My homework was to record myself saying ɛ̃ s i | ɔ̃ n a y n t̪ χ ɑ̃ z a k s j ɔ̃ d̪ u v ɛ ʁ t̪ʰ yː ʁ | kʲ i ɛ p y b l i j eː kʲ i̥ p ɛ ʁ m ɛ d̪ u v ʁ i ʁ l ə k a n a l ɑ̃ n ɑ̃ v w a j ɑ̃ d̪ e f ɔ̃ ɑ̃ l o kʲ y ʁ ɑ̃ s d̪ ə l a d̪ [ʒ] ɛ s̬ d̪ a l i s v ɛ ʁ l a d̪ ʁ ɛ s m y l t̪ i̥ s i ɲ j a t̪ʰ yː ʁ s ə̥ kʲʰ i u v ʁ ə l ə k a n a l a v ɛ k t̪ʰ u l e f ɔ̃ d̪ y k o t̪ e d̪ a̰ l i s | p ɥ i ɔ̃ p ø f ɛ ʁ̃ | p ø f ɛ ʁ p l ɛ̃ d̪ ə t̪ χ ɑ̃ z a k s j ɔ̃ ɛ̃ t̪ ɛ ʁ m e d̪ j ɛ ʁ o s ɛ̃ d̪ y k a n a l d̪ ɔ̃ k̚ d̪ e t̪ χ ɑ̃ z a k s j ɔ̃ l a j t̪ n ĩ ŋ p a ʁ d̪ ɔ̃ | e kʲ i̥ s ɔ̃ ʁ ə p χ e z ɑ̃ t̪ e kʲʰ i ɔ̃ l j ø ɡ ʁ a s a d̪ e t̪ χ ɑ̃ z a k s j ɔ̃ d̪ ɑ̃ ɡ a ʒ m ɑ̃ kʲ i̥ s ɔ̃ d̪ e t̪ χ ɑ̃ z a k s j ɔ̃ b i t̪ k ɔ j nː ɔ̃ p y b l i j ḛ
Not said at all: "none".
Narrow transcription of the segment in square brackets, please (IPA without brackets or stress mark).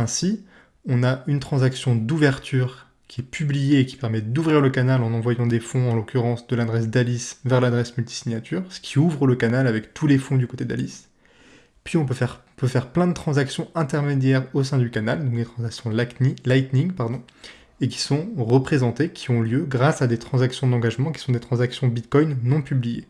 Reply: ʁ